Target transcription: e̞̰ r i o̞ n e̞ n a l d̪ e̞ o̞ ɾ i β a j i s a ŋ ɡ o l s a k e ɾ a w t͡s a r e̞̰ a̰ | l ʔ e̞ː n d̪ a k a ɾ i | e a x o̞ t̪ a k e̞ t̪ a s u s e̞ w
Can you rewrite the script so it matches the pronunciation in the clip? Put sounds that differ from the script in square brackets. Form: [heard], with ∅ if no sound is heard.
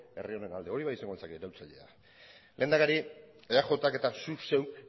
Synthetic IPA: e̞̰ r i o̞ n e̞ n a l d̪ e̞ o̞ ɾ i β a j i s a ŋ ɡ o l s a k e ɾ a w t͡s a [ʎ] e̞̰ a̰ | l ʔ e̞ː n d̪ a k a ɾ i | e a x o̞ t̪ a k e̞ t̪ a s u s e̞ w